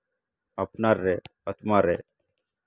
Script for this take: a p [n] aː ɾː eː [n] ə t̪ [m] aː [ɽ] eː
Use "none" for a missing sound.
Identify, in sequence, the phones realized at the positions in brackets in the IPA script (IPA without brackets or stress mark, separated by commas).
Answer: n, none, m, ɾ